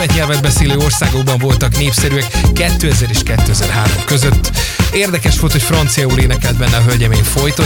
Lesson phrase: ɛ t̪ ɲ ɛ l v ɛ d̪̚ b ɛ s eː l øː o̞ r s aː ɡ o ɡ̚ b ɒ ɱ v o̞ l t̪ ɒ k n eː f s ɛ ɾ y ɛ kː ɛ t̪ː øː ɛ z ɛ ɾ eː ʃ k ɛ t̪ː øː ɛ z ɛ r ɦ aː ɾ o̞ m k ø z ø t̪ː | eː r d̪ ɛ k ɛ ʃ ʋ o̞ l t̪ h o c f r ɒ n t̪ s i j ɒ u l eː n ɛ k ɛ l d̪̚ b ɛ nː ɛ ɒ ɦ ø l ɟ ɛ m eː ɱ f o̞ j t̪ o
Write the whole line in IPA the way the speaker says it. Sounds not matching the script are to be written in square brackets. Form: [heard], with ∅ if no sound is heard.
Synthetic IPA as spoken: ɛ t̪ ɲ ɛ l v ɛ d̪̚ b ɛ s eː l øː o̞ r s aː ɡ o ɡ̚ b ɒ ɱ v o̞ l t̪ ɒ k n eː f s ɛ ɾ y ɛ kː ɛ t̪ː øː ɛ z ɛ ɾ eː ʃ k ɛ t̪ː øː ɛ z ɛ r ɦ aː ɾ o̞ m k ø z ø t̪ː | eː r d̪ ɛ k ɛ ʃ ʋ o̞ l t̪ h o c f r ɒ n t̪ s i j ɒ u l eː n ɛ k ɛ l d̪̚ b ɛ nː ɛ ɒ ɦ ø l ɟ ɛ m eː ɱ f o̞ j t̪ o